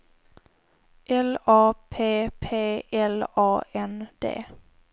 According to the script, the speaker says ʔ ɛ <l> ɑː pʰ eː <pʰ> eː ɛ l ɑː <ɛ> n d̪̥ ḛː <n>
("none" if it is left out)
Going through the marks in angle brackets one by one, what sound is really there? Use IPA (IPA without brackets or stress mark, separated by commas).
l, pʰ, ɛ, none